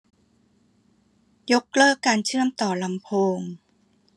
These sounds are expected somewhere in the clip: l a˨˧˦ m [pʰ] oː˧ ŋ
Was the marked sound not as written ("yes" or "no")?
no